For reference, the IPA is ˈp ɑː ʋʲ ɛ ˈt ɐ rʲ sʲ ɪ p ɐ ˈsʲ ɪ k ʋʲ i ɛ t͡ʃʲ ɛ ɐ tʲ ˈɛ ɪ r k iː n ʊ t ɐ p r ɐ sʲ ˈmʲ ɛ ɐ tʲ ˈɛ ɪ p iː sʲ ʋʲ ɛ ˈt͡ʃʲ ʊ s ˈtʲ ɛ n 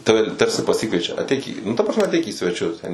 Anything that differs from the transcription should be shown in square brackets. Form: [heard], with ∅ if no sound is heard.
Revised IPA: [ˈt] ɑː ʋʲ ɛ ˈt ɐ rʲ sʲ ɪ p ɐ ˈsʲ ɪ k ʋʲ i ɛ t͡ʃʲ ɛ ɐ tʲ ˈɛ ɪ [∅] k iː n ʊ t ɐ p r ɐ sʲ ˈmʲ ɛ ɐ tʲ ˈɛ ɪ [k] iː sʲ ʋʲ ɛ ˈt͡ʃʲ ʊ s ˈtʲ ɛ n